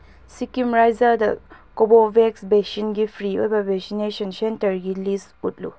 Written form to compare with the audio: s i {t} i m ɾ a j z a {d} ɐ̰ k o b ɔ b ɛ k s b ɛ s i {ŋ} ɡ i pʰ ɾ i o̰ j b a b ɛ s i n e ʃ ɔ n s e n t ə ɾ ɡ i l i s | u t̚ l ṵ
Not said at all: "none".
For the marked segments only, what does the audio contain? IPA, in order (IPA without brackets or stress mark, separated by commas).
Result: k, d, n